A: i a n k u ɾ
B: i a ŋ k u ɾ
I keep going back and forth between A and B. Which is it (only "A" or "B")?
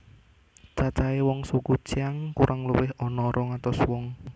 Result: B